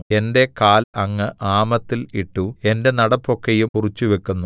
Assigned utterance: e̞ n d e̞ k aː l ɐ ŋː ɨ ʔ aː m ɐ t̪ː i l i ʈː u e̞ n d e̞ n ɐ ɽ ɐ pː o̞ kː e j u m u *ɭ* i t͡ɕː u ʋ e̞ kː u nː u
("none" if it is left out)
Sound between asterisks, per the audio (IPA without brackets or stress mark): r